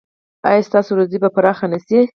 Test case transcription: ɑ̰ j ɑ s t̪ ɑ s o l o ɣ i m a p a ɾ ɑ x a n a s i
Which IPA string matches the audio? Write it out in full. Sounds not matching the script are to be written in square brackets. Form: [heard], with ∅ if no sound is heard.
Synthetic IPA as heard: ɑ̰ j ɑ s t̪ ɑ s o [ɾ] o [z] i [b] a p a ɾ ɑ x a n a s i